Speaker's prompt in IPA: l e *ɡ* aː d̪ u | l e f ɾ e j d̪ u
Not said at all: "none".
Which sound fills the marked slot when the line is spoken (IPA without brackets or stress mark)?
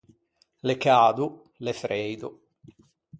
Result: k